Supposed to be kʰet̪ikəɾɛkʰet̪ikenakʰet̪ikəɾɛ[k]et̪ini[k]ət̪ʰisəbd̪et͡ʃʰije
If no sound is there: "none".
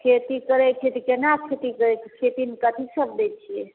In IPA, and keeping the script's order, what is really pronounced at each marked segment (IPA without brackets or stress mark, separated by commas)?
kʰ, k